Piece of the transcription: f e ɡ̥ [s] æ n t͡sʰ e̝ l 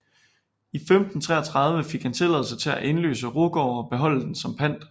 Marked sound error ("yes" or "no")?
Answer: yes